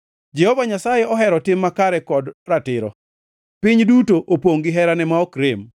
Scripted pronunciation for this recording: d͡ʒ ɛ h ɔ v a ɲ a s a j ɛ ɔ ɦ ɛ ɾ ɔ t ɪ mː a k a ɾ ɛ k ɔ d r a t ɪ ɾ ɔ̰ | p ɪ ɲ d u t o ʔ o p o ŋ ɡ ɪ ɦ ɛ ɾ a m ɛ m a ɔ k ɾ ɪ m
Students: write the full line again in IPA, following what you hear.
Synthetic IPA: d͡ʒ ɛ h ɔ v a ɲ a s a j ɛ ɔ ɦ ɛ ɾ ɔ t ɪ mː a k a ɾ ɛ k ɔ d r a t ɪ ɾ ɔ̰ | p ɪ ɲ d u t o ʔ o p o ŋ ɡ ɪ ɦ ɛ ɾ a n ɛ m a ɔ k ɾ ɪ m